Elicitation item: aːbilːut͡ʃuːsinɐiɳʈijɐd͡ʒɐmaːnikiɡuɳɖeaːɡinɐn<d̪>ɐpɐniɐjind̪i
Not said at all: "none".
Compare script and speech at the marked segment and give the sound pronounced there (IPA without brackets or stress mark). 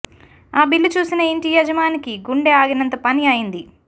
t̪